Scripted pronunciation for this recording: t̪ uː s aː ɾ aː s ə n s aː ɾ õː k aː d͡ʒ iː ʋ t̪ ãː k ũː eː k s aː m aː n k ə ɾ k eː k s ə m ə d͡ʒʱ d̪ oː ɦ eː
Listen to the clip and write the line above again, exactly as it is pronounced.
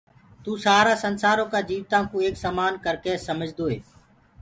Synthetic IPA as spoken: t̪ uː s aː ɾ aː s ə n s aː ɾ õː k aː d͡ʒ iː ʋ t̪ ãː k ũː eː k s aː m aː n k ə ɾ k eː s ə m ə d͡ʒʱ d̪ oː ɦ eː